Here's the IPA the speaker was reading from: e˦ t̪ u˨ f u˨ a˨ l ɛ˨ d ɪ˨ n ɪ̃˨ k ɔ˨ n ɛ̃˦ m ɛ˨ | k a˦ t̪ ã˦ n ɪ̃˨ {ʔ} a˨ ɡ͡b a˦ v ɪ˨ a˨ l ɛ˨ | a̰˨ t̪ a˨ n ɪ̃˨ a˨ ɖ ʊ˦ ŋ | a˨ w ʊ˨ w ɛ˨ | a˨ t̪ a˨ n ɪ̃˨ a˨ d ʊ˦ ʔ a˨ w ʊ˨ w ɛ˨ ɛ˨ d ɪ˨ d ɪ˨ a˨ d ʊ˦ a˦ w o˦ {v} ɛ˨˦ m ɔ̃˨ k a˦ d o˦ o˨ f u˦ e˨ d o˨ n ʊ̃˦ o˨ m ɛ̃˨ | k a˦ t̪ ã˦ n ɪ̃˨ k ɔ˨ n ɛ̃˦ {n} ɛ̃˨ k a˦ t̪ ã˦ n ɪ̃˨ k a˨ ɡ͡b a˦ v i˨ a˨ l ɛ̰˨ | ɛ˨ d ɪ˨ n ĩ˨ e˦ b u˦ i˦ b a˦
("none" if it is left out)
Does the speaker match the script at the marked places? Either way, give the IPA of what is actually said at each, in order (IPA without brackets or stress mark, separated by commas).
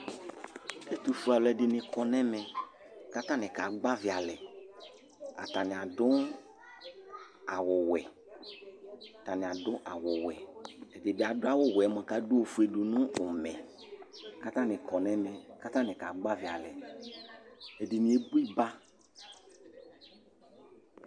k, w, m